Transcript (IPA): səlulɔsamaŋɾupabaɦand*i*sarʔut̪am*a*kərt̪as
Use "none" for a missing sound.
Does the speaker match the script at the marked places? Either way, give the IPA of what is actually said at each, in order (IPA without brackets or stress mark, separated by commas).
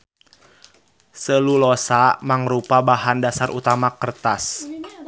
a, a